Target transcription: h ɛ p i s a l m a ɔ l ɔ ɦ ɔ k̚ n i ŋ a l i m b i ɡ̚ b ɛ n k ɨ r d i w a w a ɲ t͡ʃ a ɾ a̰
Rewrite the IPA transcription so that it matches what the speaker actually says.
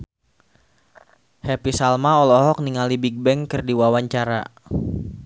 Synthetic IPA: h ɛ p i s a l m a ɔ l ɔ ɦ ɔ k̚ n i ŋ a l i b i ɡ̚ b ɛ ŋ k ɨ r d i w a w a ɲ t͡ʃ a ɾ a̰